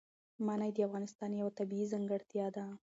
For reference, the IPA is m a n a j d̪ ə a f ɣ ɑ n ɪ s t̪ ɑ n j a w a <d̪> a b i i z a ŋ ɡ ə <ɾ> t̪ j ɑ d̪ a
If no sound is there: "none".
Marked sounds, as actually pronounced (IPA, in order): t̪, ɽ

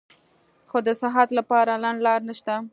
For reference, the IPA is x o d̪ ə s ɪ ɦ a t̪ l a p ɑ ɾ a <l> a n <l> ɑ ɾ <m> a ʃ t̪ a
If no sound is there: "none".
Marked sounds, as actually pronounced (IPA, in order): l, l, n

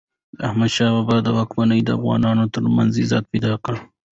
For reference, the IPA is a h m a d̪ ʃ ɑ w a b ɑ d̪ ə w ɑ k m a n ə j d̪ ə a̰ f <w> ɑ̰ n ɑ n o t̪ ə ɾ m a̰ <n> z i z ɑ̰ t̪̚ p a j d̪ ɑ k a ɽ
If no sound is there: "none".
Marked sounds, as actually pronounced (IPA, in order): ɣ, n

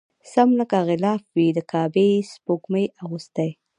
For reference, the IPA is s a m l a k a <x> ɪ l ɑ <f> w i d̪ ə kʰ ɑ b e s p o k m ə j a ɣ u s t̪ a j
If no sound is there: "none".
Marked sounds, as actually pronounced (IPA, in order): ɣ, f

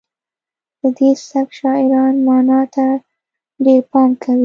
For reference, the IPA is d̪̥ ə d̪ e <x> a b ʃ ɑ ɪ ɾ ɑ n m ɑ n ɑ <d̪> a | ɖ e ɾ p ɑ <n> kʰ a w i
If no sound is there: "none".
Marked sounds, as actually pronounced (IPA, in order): s, t̪, m

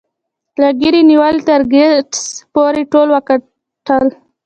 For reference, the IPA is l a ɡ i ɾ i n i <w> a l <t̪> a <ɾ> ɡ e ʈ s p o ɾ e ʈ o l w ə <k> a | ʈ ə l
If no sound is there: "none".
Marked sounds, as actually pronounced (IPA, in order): w, t̪, ɾ, k

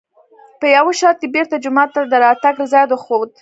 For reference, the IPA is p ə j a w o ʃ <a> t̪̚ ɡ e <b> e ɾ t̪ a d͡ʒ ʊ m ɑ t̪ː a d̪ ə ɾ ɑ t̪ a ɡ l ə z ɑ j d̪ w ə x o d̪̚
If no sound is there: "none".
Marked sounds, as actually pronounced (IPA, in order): ɑ, b

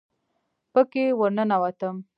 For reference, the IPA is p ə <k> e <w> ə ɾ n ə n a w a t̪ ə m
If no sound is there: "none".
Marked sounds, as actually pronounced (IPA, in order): k, w

